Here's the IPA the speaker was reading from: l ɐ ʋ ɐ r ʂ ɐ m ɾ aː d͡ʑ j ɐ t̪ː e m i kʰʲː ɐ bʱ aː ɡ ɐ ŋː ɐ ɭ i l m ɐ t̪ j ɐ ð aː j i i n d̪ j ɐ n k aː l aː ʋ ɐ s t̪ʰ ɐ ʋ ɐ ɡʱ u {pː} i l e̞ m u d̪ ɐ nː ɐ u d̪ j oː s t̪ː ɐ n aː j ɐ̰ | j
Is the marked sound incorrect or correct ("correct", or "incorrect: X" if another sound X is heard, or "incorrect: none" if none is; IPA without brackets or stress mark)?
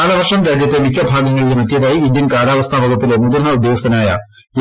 correct